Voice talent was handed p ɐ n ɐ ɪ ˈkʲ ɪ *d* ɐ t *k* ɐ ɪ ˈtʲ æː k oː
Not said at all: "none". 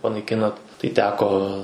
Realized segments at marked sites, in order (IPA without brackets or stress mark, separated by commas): n, t